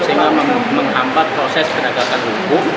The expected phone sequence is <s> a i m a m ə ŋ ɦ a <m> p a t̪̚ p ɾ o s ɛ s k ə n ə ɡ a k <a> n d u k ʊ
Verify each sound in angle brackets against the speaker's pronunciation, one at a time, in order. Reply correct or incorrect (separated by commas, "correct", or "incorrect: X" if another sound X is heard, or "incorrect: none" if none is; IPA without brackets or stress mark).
correct, correct, correct